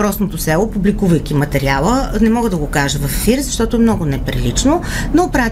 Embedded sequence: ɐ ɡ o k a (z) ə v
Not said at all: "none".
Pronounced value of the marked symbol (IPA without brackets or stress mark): ʒ